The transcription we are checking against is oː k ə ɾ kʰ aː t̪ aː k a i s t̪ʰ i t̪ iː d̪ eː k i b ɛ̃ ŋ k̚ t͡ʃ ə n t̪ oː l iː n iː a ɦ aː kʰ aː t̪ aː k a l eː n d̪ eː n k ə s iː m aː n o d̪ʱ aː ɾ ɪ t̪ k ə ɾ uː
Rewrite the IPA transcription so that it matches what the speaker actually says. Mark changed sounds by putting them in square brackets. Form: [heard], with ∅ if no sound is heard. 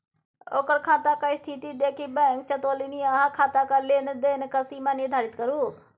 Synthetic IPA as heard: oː k ə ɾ kʰ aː t̪ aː k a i s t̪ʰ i t̪ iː d̪ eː k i b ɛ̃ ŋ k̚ t͡ʃ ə [∅] t̪ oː l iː n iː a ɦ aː kʰ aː t̪ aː k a l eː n d̪ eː n k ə s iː m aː n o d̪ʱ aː ɾ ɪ t̪ k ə ɾ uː